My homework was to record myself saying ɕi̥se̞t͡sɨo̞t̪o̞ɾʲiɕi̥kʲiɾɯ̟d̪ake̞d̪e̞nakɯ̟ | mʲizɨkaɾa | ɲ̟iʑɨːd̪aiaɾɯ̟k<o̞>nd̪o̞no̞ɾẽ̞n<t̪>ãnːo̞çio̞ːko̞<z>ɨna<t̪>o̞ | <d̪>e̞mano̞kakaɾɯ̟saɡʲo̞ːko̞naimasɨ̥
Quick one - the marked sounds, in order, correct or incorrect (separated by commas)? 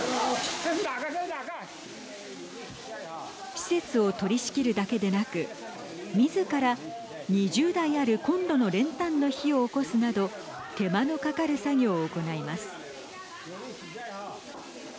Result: incorrect, correct, incorrect, incorrect, incorrect